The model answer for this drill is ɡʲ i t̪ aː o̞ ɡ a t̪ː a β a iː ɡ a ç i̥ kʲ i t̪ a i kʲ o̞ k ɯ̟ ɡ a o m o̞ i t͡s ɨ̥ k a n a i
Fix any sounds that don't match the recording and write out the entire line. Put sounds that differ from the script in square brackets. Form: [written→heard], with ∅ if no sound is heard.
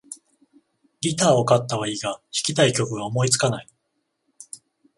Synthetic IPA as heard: ɡʲ i t̪ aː o̞ [ɡ→k] a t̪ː a β a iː ɡ a ç i̥ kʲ i t̪ a i kʲ o̞ k ɯ̟ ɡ a o m o̞ i t͡s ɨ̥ k a n a i